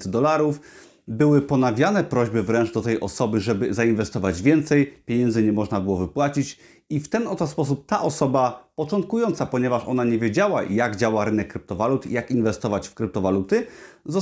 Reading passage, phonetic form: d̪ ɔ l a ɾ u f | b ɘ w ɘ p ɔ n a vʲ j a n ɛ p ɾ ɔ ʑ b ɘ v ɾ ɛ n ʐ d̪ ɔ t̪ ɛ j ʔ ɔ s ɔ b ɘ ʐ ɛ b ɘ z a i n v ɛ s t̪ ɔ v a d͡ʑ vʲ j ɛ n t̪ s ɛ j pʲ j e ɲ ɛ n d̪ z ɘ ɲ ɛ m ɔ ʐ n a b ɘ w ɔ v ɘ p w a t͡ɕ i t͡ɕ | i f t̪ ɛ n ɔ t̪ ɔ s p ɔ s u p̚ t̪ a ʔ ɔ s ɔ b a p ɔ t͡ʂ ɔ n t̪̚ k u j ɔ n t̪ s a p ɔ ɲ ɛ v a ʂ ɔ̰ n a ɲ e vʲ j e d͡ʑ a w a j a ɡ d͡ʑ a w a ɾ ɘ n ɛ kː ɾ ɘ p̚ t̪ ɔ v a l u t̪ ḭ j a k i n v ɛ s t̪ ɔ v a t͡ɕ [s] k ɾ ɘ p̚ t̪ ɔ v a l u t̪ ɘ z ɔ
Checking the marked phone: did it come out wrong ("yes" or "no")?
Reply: yes